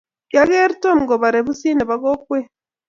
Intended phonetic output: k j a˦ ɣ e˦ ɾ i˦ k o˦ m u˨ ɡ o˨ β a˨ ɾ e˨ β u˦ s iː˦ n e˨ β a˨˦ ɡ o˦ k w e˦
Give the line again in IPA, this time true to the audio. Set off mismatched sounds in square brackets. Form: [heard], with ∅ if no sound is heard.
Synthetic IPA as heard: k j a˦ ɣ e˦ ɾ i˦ [t] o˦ m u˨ ɡ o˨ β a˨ ɾ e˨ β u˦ s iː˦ n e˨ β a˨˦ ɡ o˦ k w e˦